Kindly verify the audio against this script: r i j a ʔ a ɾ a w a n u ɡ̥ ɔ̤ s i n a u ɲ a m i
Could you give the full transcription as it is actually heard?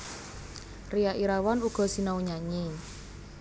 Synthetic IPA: r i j a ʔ i ɾ a w a n u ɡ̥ ɔ̤ s i n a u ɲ a ɲ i